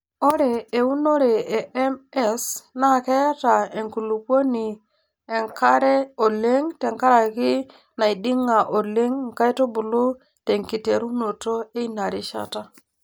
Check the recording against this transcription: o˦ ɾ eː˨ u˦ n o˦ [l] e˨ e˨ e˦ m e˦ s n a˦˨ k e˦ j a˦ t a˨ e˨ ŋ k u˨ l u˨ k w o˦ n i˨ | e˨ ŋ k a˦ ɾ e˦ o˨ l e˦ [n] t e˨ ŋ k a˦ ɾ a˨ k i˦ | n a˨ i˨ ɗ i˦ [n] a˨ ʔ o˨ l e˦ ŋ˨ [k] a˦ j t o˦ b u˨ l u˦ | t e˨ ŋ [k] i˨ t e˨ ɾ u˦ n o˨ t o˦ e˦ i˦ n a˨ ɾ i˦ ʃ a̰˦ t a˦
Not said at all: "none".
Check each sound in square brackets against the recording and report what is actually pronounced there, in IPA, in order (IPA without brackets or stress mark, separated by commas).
ɾ, ŋ, ŋ, k, k